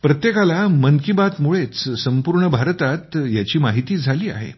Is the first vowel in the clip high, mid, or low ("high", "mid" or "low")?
mid